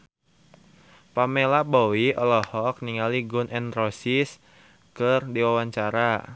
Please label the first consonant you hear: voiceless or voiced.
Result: voiceless